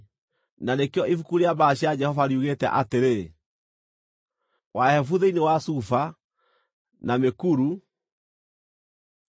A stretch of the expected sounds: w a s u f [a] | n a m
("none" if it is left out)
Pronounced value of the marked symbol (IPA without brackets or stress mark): a